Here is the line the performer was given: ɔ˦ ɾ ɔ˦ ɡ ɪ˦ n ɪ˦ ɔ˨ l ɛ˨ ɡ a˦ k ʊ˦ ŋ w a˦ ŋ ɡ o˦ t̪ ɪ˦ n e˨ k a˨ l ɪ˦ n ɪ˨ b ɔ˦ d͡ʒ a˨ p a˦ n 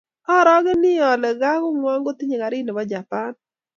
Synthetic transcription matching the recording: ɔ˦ ɾ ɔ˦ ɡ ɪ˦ n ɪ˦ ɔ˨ l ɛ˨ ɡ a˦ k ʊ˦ ŋ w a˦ ŋ ɡ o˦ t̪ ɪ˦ ɲ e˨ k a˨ ɾ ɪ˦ n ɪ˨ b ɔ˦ d͡ʒ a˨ p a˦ n